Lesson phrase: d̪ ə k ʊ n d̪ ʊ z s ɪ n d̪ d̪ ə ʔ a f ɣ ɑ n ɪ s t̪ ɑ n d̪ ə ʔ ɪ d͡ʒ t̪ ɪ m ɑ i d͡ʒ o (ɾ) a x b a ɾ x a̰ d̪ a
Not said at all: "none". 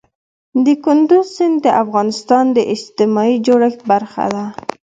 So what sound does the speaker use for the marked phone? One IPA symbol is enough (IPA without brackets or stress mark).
ɽ